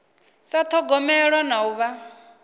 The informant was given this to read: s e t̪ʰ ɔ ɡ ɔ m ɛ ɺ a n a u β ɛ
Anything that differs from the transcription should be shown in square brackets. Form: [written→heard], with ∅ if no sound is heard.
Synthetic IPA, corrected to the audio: s [e→a] t̪ʰ ɔ ɡ ɔ m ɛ ɺ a n a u β [ɛ→a]